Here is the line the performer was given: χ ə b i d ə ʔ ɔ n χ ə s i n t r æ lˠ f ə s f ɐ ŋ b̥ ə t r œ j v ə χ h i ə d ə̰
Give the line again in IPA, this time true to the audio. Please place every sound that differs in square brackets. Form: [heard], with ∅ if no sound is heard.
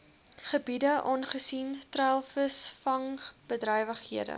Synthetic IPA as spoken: χ ə b i d ə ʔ ɔ n χ ə s i n t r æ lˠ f ə s f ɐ ŋ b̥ ə [d] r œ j v ə χ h i ə d ə̰